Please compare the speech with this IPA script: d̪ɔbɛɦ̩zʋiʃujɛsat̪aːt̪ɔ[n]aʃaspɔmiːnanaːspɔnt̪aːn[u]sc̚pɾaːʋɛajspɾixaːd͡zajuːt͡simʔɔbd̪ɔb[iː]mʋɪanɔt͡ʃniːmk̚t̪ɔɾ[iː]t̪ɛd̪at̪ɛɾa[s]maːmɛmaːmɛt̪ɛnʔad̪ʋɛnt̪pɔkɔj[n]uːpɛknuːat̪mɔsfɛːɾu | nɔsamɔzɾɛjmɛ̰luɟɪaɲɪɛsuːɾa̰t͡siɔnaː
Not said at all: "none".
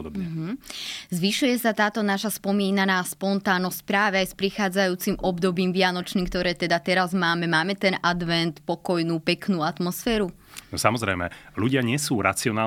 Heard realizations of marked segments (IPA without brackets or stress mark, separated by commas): n, ɔ, iː, ɛː, z, n